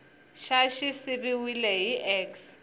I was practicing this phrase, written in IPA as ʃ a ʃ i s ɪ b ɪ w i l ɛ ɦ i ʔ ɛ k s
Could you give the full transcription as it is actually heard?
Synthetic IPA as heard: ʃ a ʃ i s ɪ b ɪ w i l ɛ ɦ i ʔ ɛ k s